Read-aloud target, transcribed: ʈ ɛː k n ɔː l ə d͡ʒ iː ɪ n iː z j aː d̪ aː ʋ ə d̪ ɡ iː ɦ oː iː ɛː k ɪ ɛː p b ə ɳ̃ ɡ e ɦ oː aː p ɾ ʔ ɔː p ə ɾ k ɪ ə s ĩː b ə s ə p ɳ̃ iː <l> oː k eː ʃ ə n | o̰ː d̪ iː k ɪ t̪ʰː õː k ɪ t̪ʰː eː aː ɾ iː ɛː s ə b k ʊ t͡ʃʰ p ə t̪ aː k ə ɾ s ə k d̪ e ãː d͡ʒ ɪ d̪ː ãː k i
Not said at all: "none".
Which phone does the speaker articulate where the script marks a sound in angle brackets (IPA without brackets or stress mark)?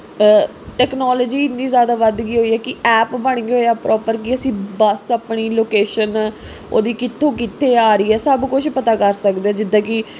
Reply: l